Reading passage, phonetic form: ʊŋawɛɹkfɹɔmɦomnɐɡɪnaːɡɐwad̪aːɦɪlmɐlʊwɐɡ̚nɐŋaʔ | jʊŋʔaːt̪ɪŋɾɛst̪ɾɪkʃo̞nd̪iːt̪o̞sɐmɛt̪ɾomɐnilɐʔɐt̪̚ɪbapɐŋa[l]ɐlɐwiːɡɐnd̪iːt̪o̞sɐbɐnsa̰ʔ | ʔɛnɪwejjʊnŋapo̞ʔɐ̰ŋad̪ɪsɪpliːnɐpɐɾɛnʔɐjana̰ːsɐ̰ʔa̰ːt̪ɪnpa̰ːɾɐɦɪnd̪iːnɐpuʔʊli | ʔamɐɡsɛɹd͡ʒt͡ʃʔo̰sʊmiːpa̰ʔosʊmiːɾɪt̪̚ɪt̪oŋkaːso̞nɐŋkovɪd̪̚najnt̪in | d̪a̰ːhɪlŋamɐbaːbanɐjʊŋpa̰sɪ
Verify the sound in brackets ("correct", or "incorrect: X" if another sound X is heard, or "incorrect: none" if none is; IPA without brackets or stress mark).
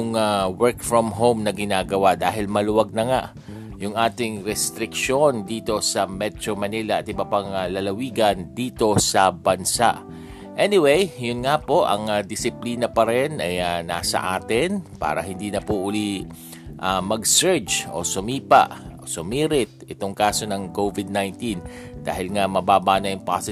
correct